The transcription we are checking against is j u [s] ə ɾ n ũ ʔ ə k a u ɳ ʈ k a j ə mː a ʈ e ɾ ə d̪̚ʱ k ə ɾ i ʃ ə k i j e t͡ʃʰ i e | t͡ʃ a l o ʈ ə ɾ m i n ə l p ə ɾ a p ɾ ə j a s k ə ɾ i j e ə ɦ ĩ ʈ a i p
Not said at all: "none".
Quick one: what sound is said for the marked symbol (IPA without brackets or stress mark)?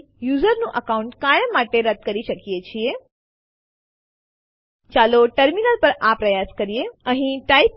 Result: z